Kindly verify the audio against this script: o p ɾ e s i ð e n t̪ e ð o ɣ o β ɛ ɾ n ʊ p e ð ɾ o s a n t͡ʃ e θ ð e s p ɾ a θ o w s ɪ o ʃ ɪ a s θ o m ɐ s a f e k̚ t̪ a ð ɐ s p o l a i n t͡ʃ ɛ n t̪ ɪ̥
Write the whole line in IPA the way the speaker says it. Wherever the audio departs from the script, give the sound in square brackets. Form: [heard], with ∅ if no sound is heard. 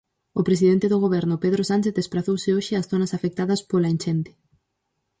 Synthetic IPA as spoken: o p ɾ e s i ð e n t̪ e ð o ɣ o β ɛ ɾ n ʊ p e ð ɾ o s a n t͡ʃ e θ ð e s p ɾ a θ o w s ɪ o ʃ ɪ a s θ o [n] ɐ s a f e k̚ t̪ a ð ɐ s p o l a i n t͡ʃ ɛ n t̪ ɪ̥